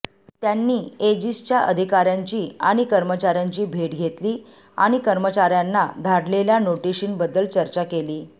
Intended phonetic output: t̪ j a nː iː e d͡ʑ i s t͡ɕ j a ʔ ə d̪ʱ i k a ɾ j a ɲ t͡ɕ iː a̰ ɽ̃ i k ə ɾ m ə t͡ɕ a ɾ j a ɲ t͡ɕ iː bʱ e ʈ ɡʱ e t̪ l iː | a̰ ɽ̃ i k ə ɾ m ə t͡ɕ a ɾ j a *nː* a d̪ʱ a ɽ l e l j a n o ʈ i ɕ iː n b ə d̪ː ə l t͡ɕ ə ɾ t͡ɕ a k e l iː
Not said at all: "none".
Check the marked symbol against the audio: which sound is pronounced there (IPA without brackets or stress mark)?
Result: nː